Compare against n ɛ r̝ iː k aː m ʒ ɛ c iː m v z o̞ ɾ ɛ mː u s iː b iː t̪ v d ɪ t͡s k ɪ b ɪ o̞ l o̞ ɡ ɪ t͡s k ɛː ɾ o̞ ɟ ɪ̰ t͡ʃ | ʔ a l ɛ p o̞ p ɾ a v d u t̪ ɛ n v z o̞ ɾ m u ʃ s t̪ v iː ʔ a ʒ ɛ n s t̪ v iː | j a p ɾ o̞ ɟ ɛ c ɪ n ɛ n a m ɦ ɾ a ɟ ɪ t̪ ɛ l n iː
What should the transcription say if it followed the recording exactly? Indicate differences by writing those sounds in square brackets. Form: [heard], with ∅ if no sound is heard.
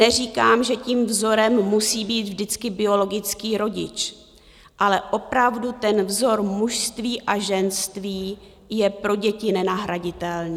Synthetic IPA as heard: n ɛ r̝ iː k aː m ʒ ɛ c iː m v z o̞ ɾ ɛ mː u s iː b iː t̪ v d ɪ t͡s k ɪ b ɪ o̞ l o̞ ɡ ɪ t͡s k [iː] ɾ o̞ ɟ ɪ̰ t͡ʃ | ʔ a l ɛ [ʔ] o̞ p ɾ a v d u t̪ ɛ n v z o̞ ɾ m u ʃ s t̪ v iː ʔ a ʒ ɛ n s t̪ v iː | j [ɛ] p ɾ o̞ ɟ ɛ c ɪ n ɛ n a [∅] ɦ ɾ a ɟ ɪ t̪ ɛ l n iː